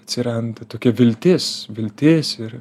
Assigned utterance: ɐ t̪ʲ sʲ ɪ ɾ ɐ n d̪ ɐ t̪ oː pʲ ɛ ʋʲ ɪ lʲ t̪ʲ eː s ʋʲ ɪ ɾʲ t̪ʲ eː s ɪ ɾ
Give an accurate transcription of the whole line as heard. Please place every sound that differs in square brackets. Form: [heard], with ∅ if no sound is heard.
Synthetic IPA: ɐ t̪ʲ sʲ ɪ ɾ ɐ n d̪ ɐ t̪ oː [kʲ] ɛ ʋʲ ɪ lʲ t̪ʲ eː s ʋʲ ɪ [lʲ] t̪ʲ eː s ɪ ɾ